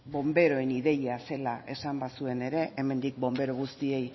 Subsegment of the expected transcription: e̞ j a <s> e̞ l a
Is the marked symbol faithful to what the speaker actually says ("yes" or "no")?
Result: yes